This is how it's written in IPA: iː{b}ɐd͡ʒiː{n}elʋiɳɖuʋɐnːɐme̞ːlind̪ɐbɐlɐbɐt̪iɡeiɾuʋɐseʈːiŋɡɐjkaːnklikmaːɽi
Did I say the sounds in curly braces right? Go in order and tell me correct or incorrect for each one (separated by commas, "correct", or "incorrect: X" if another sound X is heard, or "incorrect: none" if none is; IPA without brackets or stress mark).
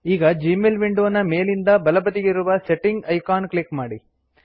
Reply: incorrect: ɡ, incorrect: m